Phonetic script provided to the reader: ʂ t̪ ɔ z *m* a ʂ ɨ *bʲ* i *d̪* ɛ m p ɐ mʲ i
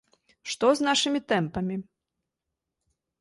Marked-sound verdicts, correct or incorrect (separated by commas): incorrect, incorrect, incorrect